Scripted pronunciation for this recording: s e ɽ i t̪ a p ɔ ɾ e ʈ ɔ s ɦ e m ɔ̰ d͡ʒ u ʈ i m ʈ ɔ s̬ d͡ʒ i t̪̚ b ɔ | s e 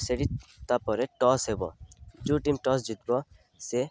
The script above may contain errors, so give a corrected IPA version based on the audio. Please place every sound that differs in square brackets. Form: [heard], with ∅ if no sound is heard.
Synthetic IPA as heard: s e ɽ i t̪ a p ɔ ɾ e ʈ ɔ s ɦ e [b] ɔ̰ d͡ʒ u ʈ i m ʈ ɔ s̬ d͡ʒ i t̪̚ b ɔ | s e

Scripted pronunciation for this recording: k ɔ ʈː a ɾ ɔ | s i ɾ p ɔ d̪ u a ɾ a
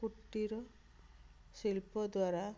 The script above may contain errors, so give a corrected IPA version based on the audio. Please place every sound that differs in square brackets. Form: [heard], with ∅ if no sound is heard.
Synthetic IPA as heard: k [u] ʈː [i] ɾ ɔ | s i [l] p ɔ d̪ [w] a ɾ a

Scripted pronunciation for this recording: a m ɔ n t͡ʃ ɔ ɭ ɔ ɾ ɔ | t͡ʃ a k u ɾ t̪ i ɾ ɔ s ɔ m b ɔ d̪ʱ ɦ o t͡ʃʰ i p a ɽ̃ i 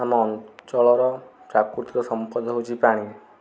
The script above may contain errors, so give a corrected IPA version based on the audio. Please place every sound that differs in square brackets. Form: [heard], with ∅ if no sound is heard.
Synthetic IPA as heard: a m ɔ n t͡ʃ ɔ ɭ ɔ ɾ ɔ | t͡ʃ a k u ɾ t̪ i ɾ ɔ s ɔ m [p] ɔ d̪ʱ ɦ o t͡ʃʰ i p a ɽ̃ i

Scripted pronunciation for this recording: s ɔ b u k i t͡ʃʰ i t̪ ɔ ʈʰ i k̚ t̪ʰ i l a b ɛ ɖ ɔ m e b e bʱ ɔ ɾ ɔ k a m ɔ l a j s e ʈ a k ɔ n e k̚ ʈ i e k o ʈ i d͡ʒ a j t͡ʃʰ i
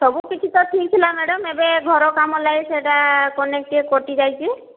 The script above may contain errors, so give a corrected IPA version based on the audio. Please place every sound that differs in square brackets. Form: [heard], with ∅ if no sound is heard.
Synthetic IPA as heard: s ɔ b u k i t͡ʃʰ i t̪ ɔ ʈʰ i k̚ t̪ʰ i l a [m] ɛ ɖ ɔ m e b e [ɡʱ] ɔ ɾ ɔ k a m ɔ l a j s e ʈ a k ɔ n e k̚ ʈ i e k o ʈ i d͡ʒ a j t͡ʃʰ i

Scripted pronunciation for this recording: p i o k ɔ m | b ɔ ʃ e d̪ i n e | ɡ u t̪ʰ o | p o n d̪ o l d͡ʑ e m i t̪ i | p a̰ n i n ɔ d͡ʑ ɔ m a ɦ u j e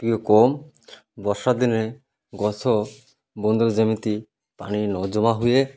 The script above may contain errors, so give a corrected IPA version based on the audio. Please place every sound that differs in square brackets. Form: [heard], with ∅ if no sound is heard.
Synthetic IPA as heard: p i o k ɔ m | b ɔ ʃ [a] d̪ i n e | ɡ [ɔ] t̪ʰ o | [b] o n d̪ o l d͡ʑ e m i t̪ i | p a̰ n i n ɔ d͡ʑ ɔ m a ɦ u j e

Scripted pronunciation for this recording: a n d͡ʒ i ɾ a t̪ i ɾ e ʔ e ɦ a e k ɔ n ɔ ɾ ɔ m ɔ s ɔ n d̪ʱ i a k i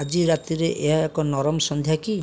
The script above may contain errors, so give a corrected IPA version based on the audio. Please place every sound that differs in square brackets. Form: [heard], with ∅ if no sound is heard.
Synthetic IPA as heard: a [∅] d͡ʒ i ɾ a t̪ i ɾ e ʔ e ɦ a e k ɔ n ɔ ɾ ɔ m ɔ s ɔ n d̪ʱ [j] a k i

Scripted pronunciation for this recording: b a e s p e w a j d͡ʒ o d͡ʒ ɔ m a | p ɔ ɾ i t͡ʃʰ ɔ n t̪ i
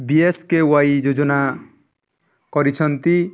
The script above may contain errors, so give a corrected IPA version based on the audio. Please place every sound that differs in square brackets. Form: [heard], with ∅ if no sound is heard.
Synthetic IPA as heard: b [i] e s [k] e w a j d͡ʒ o d͡ʒ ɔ [n] a | [k] ɔ ɾ i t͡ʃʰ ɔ n t̪ i

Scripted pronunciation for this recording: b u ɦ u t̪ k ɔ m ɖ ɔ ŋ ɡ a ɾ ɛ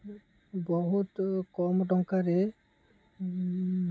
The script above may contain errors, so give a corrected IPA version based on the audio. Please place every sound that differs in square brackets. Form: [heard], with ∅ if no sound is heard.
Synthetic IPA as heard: b [ɔ] ɦ u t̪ k ɔ m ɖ ɔ ŋ [k] a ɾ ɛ

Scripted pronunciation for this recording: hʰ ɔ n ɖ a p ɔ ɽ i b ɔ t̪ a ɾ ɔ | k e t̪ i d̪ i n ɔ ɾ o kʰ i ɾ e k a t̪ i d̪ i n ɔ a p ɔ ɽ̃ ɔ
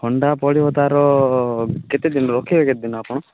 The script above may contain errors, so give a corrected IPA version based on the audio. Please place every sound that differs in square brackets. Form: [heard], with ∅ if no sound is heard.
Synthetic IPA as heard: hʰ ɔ [ɳ] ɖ a p ɔ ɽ i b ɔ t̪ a ɾ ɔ | k e t̪ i d̪ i n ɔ ɾ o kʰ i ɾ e k [e] t̪ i d̪ i n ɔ a p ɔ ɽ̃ ɔ

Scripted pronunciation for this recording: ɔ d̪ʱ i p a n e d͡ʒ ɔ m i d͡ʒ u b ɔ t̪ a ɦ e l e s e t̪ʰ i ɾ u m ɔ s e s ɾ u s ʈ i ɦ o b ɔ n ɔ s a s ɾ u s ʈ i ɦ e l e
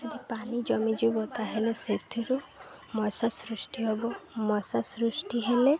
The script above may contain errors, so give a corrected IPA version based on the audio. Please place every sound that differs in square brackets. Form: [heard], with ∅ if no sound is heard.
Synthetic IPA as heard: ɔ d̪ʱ i p a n [i] d͡ʒ ɔ m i d͡ʒ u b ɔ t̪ a ɦ e l e s e t̪ʰ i ɾ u m ɔ s [a] s ɾ u s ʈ i ɦ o b ɔ [m] ɔ s a s ɾ u s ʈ i ɦ e l e

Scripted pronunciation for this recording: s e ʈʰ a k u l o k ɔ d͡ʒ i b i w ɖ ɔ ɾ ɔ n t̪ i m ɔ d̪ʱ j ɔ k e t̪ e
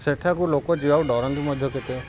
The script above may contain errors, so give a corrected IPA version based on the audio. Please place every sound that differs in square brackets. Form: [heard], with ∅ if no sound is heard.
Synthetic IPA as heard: s e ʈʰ a k u l o k ɔ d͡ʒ i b [a] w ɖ ɔ ɾ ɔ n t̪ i m ɔ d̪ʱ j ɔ k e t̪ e

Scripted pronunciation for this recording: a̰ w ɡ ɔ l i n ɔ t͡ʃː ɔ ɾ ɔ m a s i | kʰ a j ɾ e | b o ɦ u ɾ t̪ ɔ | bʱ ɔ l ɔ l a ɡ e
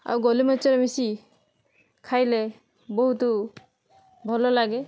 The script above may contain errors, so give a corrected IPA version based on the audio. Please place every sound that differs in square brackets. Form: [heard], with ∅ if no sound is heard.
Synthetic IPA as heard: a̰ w ɡ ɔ l i [m] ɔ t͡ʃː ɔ ɾ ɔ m [i] s i | kʰ a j [l] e | b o ɦ u [∅] t̪ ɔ | bʱ ɔ l ɔ l a ɡ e

